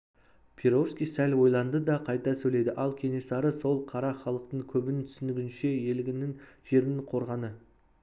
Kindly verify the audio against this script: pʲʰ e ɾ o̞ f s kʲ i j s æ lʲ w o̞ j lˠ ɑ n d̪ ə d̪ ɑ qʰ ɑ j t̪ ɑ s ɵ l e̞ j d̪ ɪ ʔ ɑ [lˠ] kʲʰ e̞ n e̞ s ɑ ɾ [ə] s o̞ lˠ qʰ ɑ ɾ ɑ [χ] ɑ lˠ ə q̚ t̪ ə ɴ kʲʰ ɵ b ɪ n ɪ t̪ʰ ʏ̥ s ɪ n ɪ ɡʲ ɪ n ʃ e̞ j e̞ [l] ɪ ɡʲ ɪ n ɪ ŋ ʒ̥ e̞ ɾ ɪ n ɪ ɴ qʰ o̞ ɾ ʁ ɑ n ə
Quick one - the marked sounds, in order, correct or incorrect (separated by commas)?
correct, correct, correct, correct